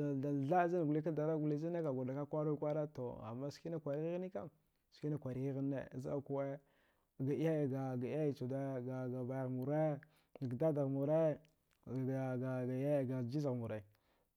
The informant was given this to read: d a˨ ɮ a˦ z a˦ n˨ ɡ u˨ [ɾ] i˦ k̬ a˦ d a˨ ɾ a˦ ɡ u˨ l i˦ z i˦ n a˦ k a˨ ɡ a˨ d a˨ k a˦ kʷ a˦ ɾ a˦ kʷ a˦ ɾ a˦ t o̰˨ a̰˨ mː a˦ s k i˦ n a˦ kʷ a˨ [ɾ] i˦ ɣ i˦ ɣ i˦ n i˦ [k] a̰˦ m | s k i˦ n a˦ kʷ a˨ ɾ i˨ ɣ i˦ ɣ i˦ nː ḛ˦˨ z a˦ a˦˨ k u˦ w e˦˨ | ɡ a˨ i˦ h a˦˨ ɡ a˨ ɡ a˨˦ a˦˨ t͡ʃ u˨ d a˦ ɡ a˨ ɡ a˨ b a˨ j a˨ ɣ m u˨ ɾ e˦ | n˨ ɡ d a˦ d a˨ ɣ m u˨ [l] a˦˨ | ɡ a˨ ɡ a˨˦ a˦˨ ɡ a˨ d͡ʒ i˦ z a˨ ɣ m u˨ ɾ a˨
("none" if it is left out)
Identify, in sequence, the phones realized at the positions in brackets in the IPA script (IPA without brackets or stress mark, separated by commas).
l, ɾ, k, ɾ